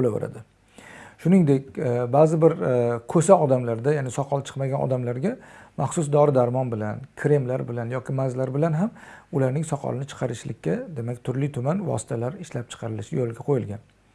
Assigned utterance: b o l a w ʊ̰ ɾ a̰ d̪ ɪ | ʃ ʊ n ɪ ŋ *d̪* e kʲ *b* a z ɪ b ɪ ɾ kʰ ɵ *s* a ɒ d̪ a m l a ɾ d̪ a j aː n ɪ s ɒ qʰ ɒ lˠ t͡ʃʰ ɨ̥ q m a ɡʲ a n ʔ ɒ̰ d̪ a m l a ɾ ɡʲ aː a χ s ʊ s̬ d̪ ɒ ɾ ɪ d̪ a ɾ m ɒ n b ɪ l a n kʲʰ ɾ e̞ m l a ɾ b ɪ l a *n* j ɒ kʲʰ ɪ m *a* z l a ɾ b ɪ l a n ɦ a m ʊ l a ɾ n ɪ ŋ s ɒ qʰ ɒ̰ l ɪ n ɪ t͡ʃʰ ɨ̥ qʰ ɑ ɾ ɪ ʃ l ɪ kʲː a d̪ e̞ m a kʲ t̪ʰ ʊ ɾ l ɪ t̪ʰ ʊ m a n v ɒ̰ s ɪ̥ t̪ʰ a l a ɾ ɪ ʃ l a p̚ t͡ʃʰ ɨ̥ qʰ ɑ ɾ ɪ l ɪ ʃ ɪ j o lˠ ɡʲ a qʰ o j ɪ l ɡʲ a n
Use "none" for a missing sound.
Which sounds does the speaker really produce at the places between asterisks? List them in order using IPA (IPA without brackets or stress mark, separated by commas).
d̪, b, s, n, a